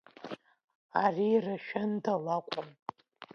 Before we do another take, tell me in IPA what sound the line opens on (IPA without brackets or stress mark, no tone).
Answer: a